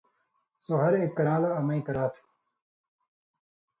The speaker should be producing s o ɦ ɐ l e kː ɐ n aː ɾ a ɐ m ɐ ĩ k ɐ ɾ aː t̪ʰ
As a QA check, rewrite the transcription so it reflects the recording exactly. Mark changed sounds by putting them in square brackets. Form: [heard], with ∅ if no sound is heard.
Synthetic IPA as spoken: s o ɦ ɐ [ɾ] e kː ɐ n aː [l] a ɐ m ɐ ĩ k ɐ ɾ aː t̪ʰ